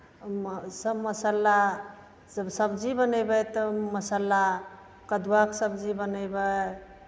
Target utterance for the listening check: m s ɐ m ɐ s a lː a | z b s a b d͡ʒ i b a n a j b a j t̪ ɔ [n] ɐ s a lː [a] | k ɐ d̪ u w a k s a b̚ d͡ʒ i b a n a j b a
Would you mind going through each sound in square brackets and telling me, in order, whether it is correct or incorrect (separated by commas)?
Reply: incorrect, correct